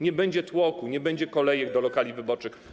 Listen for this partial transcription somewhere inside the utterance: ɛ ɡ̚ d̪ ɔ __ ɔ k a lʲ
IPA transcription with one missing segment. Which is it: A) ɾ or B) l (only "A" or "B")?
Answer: B